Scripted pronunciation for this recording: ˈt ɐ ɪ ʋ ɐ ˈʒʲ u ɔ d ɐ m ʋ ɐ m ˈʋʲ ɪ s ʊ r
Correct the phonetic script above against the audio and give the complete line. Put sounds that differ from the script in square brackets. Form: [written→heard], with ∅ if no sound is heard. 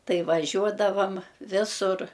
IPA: ˈt ɐ ɪ ʋ ɐ ˈʒʲ u ɔ d ɐ [m→∅] ʋ ɐ m ˈʋʲ ɪ s ʊ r